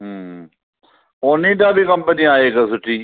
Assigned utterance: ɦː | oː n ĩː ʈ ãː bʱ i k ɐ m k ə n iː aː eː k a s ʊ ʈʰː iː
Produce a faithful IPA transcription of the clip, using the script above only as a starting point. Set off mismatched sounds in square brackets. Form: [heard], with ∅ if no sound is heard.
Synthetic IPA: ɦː | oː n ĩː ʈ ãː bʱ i k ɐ m [p] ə n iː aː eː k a s ʊ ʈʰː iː

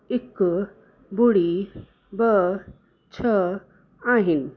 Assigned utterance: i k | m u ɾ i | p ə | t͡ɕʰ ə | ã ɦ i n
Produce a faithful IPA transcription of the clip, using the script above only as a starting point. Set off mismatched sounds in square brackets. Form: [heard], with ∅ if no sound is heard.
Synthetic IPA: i k | [b] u [ɽ] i | [b] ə | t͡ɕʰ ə | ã ɦ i n

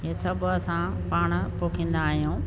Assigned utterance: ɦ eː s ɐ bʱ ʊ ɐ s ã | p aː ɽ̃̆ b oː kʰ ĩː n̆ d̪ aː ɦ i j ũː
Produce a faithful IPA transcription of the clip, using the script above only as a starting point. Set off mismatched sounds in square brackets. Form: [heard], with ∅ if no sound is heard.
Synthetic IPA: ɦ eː s ɐ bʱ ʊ ɐ s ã | p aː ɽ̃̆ [p] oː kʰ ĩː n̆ d̪ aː ɦ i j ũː

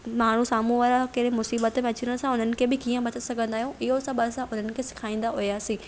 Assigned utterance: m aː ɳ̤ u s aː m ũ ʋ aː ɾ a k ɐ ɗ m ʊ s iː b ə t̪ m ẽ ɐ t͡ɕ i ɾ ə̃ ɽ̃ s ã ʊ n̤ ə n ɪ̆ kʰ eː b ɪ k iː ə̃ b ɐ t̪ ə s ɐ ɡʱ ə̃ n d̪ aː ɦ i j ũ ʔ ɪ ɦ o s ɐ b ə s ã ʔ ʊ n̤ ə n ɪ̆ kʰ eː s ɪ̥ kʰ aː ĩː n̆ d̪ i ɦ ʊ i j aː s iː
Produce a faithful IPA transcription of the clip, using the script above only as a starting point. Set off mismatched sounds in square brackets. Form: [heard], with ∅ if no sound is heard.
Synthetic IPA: m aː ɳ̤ u s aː m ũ ʋ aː ɾ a k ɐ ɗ m ʊ s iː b ə t̪ m ẽ ɐ t͡ɕ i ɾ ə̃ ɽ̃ s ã ʊ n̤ ə n ɪ̆ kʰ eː b ɪ k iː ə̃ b ɐ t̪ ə s ɐ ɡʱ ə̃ n d̪ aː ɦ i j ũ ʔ ɪ ɦ o s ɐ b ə s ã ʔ ʊ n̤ ə n ɪ̆ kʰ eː s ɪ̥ kʰ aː ĩː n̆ d̪ [a] ɦ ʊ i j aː s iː

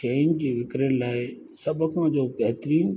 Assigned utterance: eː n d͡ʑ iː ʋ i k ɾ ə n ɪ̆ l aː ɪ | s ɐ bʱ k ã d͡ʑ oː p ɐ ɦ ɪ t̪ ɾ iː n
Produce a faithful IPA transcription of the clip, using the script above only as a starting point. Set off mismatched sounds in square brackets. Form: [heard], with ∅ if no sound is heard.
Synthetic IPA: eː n d͡ʑ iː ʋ [ɪ] k ɾ ə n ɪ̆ l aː ɪ | s ɐ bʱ k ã d͡ʑ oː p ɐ ɦ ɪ t̪ ɾ iː n

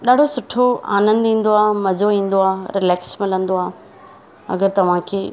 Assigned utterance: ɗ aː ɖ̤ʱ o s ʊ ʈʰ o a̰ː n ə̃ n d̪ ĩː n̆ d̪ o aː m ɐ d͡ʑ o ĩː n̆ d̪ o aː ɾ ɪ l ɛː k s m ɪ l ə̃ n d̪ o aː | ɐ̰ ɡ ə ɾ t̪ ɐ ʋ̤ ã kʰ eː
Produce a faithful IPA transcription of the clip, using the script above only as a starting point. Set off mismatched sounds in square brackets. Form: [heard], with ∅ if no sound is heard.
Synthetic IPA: ɗ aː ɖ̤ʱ o s ʊ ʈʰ o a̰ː n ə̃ n d̪ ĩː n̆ d̪ o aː m ɐ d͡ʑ o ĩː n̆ d̪ o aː ɾ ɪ l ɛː k s m ɪ l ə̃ n d̪ o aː | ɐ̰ ɡ ə ɾ t̪ ɐ ʋ̤ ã kʰ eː

